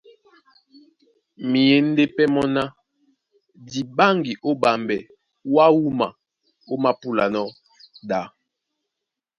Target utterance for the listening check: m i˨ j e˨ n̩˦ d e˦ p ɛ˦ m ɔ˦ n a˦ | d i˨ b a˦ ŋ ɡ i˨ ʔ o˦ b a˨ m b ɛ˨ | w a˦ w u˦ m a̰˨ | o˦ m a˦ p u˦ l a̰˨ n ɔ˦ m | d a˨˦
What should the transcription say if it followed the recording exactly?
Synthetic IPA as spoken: m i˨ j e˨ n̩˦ d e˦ p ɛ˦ m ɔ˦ n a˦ | d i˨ b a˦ ŋ ɡ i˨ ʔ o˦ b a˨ m b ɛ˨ | w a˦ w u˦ m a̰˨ | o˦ m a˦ p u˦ l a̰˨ n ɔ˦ | d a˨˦